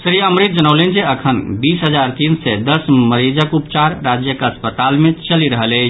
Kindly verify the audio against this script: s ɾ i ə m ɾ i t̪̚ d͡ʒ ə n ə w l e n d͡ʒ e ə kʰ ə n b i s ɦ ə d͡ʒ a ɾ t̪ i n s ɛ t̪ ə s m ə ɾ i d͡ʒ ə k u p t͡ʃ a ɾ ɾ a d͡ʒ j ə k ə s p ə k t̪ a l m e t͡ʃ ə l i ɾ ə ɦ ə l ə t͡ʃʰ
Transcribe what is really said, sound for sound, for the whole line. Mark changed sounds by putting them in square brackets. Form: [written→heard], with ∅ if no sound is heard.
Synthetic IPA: s ɾ i ə m ɾ i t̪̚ d͡ʒ ə n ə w l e n d͡ʒ e ə kʰ ə n b i s ɦ ə d͡ʒ a ɾ t̪ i n s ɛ [t̪→d̪] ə s m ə ɾ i d͡ʒ ə k u p t͡ʃ a ɾ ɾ a d͡ʒ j ə k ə s p ə [k→∅] t̪ a l m e t͡ʃ ə l i ɾ ə ɦ ə l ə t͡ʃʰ

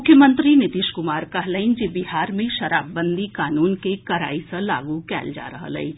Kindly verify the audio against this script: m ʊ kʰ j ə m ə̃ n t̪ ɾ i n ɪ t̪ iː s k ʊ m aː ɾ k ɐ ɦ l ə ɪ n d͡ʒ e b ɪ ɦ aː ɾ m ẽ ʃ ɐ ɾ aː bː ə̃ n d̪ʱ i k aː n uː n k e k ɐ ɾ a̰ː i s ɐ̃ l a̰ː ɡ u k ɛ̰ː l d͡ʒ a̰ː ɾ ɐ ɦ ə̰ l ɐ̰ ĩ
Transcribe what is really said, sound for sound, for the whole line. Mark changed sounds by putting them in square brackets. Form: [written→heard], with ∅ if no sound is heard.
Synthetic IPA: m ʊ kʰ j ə m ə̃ n t̪ ɾ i n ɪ t̪ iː [s→ʃ] k ʊ m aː ɾ k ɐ ɦ l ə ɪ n d͡ʒ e b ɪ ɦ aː ɾ m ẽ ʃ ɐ ɾ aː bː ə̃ n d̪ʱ i k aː n uː n k e k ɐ ɾ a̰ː i s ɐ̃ l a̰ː ɡ u k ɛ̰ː l d͡ʒ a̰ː ɾ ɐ ɦ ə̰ l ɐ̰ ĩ

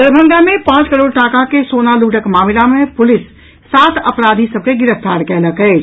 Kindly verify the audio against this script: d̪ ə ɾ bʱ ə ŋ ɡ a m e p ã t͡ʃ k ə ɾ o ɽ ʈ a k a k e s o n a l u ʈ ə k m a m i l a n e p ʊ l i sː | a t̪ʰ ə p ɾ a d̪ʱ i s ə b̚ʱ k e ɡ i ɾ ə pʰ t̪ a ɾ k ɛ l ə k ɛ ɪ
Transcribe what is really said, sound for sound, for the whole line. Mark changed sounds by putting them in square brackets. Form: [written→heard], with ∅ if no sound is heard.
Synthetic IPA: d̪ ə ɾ bʱ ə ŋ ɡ a m e p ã t͡ʃ k ə ɾ o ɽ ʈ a k a k e s o n a l u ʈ ə k m a m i l a [n→m] e p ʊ l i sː | a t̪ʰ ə p ɾ a d̪ʱ i s ə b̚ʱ k e ɡ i ɾ ə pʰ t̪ a ɾ k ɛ l ə k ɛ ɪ

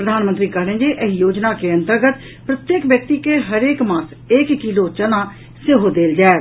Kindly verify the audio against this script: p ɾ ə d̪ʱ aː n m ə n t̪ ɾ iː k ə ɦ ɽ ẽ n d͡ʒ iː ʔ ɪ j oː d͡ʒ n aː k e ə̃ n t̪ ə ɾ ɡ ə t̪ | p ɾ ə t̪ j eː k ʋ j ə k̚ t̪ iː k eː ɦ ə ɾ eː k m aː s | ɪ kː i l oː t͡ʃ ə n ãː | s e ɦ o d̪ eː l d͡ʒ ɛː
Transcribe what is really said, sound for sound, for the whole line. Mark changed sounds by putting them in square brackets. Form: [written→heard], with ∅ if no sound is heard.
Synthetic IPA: p ɾ ə d̪ʱ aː n m ə n t̪ ɾ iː k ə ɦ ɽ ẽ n d͡ʒ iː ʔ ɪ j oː d͡ʒ n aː k e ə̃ n t̪ ə ɾ ɡ ə t̪ | p ɾ ə t̪ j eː k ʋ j ə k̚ t̪ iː k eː ɦ ə ɾ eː k m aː s | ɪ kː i l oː t͡ʃ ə n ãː | s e ɦ o d̪ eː l d͡ʒ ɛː

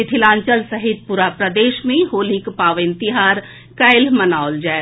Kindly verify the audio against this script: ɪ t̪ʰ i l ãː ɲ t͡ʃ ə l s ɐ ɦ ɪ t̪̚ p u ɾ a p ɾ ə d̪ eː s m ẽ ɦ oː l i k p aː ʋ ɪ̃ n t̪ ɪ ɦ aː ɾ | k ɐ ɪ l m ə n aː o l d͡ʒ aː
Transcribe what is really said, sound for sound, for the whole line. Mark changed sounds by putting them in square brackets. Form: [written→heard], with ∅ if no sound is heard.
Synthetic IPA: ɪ t̪ʰ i l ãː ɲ t͡ʃ ə l s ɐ ɦ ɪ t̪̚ p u ɾ a p ɾ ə d̪ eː [s→ʃ] m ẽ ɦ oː l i k p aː ʋ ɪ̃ n t̪ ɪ ɦ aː ɾ | k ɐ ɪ l m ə n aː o l d͡ʒ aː

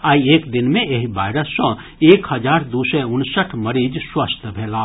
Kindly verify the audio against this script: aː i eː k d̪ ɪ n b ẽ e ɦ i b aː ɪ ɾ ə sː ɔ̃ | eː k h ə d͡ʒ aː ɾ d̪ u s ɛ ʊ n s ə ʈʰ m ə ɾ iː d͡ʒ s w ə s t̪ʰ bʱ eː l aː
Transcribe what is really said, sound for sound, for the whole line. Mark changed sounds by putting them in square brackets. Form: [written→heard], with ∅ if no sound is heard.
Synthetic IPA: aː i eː k d̪ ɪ n [b→m] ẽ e ɦ i b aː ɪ ɾ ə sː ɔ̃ | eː k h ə d͡ʒ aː ɾ d̪ u s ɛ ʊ n s ə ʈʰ m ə ɾ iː d͡ʒ s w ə s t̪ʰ bʱ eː l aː

